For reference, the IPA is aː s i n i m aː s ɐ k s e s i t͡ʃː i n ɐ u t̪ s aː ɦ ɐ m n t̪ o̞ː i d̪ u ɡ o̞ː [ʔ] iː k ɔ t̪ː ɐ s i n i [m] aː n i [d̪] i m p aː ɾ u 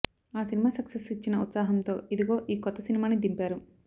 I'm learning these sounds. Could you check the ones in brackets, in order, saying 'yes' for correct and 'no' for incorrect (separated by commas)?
yes, yes, yes